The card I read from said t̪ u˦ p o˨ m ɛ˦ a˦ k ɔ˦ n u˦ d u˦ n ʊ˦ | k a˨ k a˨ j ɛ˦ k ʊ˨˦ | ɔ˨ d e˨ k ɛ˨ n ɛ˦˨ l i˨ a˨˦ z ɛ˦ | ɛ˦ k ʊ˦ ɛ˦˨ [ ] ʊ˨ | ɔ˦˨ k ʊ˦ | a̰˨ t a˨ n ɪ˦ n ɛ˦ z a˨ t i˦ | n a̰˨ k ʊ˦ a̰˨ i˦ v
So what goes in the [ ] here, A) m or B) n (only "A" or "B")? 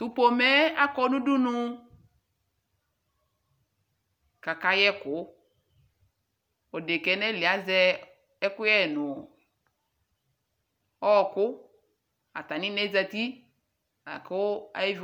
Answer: B